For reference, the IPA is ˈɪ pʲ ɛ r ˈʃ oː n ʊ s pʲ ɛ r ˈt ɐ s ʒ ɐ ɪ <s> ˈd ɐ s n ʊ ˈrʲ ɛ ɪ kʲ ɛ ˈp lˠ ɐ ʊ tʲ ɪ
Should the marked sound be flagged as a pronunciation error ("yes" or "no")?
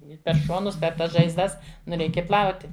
yes